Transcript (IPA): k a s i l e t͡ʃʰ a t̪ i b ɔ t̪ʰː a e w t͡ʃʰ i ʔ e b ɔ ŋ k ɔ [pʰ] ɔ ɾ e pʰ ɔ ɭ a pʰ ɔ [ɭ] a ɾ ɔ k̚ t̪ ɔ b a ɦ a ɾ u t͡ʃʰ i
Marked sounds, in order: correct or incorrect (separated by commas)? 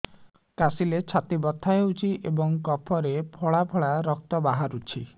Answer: correct, correct